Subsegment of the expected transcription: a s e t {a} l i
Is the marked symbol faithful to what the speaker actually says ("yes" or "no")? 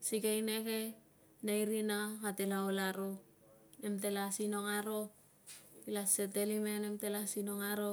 no